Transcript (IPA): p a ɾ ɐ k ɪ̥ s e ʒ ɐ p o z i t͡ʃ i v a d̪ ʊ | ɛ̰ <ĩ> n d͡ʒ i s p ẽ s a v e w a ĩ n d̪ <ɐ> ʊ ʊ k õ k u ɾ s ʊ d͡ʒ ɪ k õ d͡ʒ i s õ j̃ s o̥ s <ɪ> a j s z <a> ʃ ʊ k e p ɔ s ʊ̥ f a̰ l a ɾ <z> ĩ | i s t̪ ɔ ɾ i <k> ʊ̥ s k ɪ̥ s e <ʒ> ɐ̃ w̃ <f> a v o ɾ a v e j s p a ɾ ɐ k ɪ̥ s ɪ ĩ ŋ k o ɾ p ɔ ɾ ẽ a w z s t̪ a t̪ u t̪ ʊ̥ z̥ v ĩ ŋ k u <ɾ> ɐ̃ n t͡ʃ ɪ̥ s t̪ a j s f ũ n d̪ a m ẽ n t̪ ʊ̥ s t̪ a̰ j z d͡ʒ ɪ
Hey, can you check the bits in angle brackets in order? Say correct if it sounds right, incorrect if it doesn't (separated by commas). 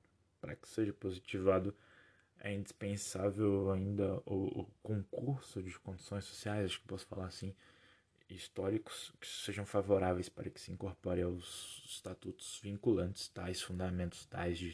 correct, correct, incorrect, correct, incorrect, correct, correct, correct, incorrect